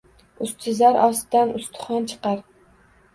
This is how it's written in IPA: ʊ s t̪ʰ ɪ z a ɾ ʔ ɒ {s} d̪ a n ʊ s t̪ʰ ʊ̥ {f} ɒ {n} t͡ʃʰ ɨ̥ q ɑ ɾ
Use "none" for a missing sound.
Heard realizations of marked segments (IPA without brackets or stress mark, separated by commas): s, χ, n